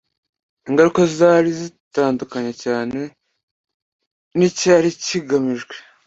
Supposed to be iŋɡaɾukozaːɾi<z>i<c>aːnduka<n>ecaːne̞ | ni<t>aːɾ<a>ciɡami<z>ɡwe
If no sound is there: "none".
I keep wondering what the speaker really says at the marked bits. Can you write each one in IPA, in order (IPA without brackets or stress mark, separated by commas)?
z, t, ɲ, c, i, ʒ